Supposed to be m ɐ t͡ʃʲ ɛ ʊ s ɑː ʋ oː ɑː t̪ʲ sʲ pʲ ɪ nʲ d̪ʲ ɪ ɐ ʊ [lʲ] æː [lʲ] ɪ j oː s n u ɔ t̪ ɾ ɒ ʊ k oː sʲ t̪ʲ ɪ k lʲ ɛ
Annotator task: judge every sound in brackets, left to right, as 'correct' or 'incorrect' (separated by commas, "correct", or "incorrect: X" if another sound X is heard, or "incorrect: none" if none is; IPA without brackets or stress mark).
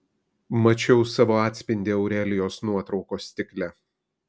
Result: incorrect: ɾʲ, correct